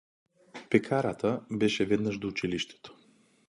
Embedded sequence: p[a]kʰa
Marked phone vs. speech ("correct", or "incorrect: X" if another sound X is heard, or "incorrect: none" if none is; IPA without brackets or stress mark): incorrect: ɛ